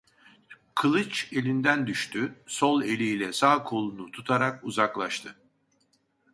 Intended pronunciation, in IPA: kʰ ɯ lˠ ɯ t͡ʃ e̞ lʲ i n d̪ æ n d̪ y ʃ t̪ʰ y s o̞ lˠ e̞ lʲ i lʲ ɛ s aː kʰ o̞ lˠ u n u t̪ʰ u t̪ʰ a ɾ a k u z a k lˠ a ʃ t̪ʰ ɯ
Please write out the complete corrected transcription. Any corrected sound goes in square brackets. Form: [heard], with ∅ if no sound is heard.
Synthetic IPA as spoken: kʰ ɯ lˠ ɯ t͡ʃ e̞ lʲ i n d̪ æ n d̪ y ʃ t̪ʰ y s o̞ lˠ e̞ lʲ i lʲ ɛ s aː kʰ o̞ lˠ u n u t̪ʰ u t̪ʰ a ɾ a k u z a k lˠ a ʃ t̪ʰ ɯ